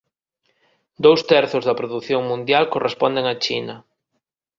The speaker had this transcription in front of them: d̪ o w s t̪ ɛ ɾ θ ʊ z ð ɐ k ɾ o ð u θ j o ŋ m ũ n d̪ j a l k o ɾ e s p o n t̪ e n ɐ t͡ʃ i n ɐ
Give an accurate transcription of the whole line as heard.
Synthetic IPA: d̪ o w s t̪ ɛ ɾ θ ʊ z ð ɐ p ɾ o ð u θ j o ŋ m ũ n d̪ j a l k o r e s p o n d̪ e ŋ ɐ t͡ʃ i n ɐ